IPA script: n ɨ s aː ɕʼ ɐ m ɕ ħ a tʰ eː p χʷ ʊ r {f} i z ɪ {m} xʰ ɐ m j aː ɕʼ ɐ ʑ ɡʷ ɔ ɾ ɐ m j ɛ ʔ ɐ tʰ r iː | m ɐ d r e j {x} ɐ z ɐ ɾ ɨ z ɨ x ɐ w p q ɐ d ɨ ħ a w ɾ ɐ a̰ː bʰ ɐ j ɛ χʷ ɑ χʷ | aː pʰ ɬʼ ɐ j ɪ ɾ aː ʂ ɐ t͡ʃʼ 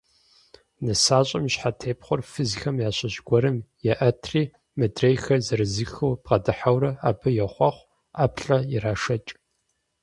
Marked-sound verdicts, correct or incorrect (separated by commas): correct, incorrect, correct